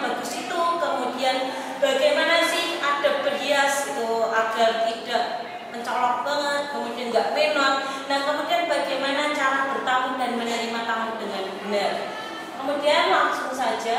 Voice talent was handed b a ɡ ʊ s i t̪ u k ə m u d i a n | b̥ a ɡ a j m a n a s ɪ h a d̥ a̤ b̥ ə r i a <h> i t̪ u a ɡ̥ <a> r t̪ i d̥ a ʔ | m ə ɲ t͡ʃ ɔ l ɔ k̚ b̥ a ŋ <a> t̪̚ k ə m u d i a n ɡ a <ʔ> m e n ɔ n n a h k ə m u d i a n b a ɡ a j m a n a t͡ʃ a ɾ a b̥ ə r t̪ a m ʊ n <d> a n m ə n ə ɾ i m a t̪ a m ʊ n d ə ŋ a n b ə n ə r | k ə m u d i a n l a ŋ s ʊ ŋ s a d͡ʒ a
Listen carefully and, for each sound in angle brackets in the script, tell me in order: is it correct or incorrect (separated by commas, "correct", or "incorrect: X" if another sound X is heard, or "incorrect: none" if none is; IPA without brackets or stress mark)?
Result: incorrect: s, correct, incorrect: ə, correct, correct